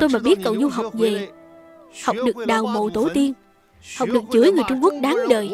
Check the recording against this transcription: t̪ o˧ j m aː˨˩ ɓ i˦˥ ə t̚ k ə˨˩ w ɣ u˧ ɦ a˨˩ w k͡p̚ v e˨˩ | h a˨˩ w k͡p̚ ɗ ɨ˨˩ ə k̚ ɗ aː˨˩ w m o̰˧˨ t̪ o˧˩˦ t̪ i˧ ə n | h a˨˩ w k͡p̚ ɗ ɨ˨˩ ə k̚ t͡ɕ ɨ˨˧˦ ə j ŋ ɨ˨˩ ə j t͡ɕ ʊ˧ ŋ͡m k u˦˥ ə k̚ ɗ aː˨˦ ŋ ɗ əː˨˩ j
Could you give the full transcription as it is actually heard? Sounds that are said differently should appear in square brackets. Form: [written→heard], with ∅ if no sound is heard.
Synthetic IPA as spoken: t̪ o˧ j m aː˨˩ ɓ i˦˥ ə t̚ k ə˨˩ w [ɣ→z] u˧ ɦ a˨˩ w k͡p̚ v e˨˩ | h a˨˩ w k͡p̚ ɗ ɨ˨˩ ə k̚ ɗ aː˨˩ w m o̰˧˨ t̪ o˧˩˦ t̪ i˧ ə n | h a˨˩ w k͡p̚ ɗ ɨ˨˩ ə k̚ t͡ɕ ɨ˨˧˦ ə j ŋ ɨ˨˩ ə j t͡ɕ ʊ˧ ŋ͡m k u˦˥ ə k̚ ɗ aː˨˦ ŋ ɗ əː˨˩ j